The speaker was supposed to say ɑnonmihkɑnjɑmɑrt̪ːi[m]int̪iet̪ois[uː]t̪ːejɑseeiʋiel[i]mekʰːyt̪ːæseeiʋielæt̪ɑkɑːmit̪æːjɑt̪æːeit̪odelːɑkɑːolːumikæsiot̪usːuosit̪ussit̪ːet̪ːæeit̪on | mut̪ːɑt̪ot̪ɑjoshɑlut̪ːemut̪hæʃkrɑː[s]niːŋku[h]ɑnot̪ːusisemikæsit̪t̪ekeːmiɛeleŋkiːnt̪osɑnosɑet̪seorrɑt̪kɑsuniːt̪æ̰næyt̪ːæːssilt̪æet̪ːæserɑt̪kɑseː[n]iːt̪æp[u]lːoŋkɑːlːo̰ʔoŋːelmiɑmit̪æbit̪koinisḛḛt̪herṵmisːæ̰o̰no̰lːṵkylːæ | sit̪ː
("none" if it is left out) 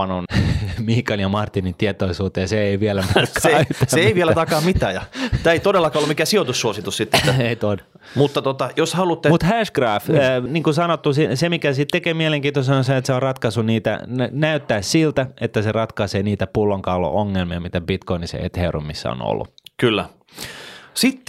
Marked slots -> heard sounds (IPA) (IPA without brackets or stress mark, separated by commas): n, uː, æ, f, s, n, u